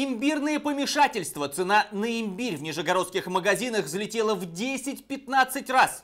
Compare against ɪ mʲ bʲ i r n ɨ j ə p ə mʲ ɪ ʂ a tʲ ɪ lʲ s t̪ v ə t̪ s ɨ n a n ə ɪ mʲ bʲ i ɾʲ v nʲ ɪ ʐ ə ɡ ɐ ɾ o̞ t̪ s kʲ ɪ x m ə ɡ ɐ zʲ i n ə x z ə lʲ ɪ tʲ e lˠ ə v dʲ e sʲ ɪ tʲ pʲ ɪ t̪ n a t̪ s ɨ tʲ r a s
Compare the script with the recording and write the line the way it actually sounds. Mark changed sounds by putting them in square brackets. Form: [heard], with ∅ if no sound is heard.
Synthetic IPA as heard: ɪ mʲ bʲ i r n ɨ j ə p ə mʲ ɪ ʂ a tʲ ɪ lʲ s t̪ v ə t̪ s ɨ n a n ə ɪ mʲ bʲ i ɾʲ v nʲ ɪ ʐ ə ɡ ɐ ɾ o̞ t̪ s kʲ ɪ x m ə ɡ ɐ zʲ i n ə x z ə lʲ ɪ tʲ e lˠ ə v dʲ e sʲ ɪ tʲ pʲ ɪ t̪ n a t̪ s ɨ tʲ r a s